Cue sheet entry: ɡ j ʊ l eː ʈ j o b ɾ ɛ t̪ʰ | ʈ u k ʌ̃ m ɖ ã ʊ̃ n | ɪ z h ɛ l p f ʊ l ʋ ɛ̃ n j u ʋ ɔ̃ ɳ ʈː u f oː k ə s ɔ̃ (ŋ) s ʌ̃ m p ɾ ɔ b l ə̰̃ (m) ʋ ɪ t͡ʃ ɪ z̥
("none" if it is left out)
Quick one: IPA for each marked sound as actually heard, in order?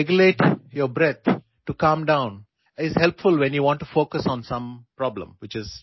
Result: n, m

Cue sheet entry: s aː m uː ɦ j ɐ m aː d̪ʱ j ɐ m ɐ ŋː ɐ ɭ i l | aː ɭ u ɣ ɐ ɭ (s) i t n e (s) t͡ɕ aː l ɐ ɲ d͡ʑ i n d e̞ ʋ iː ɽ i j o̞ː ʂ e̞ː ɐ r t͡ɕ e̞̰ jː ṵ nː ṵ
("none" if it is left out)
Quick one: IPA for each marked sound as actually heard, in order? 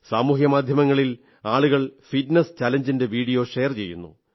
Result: f, s

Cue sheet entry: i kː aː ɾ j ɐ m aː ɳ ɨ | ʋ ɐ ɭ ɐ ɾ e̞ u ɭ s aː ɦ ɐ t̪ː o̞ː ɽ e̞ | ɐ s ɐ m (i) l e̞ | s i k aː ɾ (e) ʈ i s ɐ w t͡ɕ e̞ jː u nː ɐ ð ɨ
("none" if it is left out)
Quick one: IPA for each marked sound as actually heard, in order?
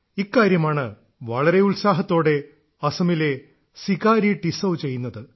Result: i, i

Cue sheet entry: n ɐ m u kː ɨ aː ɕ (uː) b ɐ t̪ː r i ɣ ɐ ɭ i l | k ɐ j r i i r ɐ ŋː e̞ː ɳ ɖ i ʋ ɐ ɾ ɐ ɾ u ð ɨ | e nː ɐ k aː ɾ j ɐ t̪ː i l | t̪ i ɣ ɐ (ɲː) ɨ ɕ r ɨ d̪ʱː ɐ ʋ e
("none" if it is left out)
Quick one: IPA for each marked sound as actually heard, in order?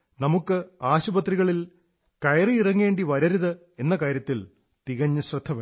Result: u, ɲː

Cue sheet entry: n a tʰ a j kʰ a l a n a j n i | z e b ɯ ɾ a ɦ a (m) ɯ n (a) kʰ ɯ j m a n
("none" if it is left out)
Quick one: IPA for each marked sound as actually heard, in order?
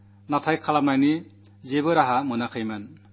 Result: m, a

